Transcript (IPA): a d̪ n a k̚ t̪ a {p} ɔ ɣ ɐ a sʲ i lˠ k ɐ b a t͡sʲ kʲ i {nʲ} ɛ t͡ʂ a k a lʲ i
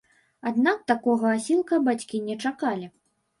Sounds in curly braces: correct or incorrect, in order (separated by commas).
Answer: incorrect, correct